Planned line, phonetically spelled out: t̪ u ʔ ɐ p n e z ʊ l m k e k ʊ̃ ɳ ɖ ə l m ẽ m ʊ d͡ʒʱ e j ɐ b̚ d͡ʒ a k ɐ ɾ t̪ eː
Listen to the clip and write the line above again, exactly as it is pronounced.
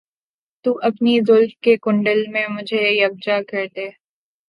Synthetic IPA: t̪ u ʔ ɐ p n i z ʊ l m k e k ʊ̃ ɳ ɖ ə l m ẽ m ʊ d͡ʒʱ e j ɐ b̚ d͡ʒ a k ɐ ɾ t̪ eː

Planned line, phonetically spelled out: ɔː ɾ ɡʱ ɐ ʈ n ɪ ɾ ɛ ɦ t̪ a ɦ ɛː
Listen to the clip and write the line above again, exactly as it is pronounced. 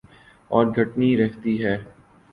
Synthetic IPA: ɔː ɾ ɡʱ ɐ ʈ n i ɾ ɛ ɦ t̪ i ɦ ɛː

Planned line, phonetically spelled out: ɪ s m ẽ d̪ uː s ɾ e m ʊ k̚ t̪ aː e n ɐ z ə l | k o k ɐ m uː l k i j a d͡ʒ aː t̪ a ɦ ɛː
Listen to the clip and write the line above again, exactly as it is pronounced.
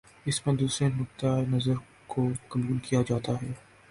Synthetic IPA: ɪ s m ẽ d̪ uː s ɾ e n ʊ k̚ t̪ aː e n ɐ z ə ɾ | k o k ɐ m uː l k i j a d͡ʒ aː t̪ a ɦ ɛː

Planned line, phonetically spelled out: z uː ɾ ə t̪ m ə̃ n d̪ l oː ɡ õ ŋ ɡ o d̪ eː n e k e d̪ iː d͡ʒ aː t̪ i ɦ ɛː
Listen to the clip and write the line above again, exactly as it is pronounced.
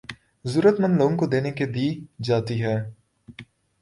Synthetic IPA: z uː ɾ ə t̪ m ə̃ n d̪ l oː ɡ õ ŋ k o d̪ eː n e k e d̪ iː d͡ʒ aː t̪ i ɦ ɛː

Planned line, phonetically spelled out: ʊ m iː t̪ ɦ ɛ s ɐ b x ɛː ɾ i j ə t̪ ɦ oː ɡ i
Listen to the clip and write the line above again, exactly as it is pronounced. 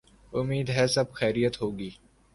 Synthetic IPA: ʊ m iː d̪ ɦ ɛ s ɐ b x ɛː ɾ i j ə t̪ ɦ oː ɡ iː

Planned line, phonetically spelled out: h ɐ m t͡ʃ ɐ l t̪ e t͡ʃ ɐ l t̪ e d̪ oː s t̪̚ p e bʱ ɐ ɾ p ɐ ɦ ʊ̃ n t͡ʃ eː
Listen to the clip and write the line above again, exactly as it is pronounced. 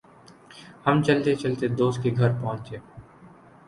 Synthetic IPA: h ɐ m t͡ʃ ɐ l t̪ e t͡ʃ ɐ l t̪ e d̪ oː s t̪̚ k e ɡʱ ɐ ɾ p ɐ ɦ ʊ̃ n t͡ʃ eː

